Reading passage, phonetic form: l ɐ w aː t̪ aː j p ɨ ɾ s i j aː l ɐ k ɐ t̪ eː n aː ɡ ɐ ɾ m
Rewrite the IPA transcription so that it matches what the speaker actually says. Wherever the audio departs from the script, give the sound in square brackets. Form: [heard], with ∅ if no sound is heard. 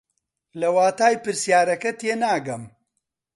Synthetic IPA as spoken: l ɐ w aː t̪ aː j p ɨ ɾ s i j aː [ɾ] ɐ k ɐ t̪ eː n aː ɡ ɐ [∅] m